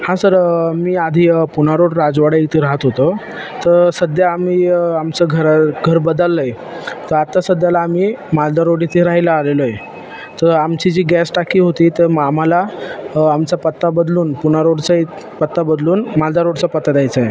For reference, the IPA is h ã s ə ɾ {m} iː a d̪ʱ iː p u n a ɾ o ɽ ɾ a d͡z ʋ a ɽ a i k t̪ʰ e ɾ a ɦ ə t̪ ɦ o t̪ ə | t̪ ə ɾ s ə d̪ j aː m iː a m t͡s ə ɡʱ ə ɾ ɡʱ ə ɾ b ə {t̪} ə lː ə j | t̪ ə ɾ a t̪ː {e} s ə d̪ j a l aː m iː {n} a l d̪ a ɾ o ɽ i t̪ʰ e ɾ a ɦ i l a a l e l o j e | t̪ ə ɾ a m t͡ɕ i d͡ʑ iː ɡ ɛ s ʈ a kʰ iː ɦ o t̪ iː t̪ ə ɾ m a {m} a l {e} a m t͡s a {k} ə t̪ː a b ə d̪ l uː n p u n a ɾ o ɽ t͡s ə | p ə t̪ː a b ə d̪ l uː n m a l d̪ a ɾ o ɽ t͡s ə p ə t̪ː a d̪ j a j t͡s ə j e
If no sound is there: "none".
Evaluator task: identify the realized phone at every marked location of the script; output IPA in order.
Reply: m, d̪, a, m, m, a, p

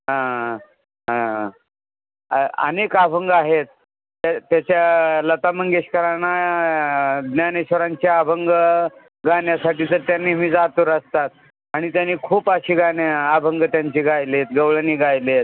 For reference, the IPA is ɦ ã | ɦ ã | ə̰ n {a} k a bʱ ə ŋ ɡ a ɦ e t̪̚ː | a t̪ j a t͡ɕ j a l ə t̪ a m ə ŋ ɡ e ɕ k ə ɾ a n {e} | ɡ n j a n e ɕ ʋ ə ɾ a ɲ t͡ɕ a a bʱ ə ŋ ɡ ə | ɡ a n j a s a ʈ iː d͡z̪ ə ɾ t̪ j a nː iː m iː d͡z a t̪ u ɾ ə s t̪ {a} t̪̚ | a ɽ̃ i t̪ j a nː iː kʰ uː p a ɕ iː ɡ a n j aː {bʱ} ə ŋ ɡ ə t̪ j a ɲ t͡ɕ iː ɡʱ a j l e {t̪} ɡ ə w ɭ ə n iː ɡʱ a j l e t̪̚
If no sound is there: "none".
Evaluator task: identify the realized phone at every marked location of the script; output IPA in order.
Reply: e, a, a, bʱ, t̪

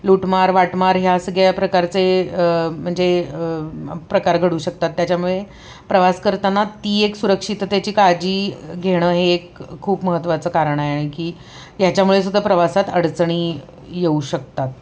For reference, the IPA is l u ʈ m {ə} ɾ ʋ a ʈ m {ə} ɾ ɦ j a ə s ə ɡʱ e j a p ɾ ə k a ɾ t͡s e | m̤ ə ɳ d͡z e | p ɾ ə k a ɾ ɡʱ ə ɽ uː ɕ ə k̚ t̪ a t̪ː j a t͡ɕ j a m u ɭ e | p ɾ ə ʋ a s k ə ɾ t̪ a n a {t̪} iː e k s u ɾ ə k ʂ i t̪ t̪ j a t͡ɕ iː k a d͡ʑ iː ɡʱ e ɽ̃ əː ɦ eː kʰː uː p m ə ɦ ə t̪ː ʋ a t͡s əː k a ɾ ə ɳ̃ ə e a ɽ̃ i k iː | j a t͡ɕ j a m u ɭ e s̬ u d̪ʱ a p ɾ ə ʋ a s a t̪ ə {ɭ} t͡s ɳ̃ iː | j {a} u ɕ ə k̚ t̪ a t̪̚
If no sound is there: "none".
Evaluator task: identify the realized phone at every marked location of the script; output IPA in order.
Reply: a, a, t̪, ɽ, e

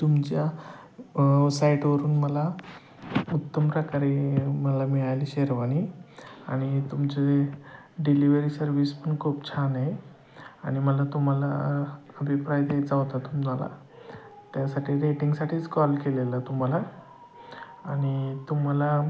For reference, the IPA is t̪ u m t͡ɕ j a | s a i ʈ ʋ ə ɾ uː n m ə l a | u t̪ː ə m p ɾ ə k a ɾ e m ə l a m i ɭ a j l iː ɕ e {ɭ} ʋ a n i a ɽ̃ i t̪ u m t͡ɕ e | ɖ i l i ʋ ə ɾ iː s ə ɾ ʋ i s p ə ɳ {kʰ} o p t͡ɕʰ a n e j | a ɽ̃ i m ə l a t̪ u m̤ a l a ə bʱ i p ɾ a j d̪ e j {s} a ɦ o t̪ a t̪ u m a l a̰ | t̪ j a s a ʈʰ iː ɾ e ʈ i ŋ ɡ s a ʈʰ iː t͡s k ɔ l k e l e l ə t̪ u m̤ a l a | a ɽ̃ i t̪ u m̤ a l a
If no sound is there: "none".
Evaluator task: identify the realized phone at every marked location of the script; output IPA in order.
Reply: ɾ, kʰ, t͡s

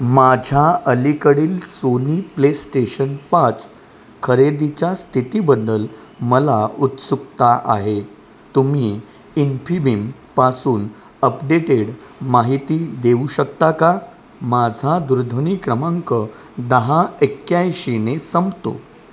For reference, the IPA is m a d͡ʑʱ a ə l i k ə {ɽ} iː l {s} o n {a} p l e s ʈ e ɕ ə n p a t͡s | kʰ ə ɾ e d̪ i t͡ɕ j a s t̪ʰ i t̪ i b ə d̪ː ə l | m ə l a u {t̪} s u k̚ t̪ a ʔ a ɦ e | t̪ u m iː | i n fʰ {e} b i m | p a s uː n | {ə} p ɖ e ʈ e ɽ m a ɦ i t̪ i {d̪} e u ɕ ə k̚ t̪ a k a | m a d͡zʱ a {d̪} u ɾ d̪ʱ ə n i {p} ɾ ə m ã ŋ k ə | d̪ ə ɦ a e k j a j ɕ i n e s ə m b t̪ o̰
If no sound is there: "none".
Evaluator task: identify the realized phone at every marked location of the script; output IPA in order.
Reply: ɽ, s, i, t̪, i, ə, d̪, d̪, k

